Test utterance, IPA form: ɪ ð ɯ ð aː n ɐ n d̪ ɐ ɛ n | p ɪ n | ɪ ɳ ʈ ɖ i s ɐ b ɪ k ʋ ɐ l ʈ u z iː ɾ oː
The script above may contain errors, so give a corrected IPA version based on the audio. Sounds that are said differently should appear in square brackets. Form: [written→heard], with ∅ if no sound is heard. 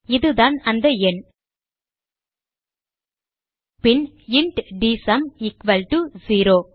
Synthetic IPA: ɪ ð ɯ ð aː n ɐ n d̪ ɐ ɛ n | p ɪ n | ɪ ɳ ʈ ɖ i s ɐ [b→m] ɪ k ʋ ɐ l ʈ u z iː ɾ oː